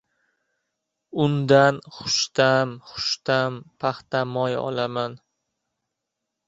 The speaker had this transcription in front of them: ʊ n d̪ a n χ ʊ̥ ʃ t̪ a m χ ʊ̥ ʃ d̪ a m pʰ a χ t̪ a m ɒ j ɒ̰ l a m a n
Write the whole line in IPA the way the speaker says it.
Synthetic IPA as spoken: ʊ n d̪ a n χ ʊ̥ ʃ t̪ a m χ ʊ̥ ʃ t̪ a m pʰ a χ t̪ a m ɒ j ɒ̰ l a m a n